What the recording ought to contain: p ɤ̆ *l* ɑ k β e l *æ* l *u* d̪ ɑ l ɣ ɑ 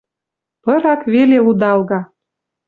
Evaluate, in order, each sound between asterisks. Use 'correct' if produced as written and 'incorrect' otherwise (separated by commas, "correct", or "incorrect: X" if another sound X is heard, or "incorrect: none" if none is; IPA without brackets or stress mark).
incorrect: ɾ, incorrect: e, correct